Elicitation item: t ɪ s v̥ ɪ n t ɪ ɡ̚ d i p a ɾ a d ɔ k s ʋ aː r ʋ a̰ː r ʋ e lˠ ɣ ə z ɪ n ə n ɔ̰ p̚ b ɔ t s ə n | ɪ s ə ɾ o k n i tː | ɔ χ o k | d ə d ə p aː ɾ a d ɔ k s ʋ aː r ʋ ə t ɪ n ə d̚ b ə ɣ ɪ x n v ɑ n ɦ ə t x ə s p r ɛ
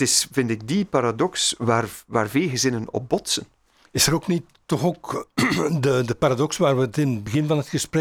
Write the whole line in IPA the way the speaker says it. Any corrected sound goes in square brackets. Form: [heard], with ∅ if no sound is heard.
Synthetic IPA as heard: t ɪ s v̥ ɪ n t ɪ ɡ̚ d i p a ɾ a d ɔ k s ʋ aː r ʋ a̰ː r [v] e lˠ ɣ ə z ɪ n ə n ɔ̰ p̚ b ɔ t s ə n | ɪ s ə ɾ o k n i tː | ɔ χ o k | d ə d ə p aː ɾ a d ɔ k s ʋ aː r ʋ ə t ɪ n ə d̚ b ə ɣ ɪ [∅] n v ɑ n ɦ ə t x ə s p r ɛ